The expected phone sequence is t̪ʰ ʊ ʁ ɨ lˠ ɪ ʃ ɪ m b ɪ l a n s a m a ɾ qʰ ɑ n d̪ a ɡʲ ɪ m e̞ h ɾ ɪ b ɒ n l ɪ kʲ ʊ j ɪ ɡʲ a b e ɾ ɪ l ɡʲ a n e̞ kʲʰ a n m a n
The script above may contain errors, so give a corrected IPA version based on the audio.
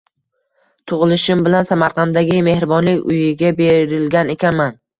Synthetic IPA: t̪ʰ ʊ ʁ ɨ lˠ ɪ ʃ ɪ m b ɪ l a n s a m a ɾ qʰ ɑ n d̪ a ɡʲ ɪ m e̞ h ɾ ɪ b ɒ n l ɪ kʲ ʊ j ɪ ɡʲ a b e ɾ ɪ l ɡʲ a n e̞ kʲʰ a n m a n